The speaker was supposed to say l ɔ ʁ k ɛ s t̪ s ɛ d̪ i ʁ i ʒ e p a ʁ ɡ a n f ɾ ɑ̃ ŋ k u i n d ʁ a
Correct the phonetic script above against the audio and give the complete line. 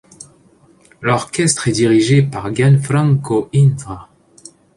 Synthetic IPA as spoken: l ɔ ʁ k ɛ s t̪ χ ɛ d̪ i ʁ i ʒ e p a ʁ ɡ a n f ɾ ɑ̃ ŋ k o i n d ʁ a